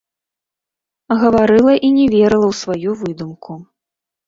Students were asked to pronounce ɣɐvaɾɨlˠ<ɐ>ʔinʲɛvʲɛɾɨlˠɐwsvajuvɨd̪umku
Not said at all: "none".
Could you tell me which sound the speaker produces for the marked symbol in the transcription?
ɐ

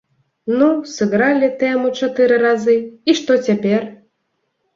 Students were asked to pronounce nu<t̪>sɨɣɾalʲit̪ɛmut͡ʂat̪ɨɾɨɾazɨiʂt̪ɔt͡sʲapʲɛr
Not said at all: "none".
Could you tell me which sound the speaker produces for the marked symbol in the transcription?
none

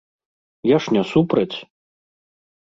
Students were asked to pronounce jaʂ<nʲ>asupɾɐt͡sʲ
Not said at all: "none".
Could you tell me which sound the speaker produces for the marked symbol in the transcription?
nʲ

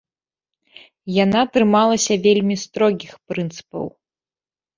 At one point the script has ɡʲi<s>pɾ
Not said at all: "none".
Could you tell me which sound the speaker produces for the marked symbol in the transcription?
x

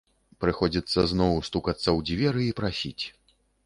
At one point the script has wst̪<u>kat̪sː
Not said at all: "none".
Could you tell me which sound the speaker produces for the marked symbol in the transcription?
u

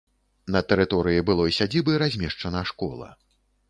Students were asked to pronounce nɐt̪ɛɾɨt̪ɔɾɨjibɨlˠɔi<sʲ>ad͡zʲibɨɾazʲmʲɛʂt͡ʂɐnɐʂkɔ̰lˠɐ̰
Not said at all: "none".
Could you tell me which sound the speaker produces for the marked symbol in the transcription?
sʲ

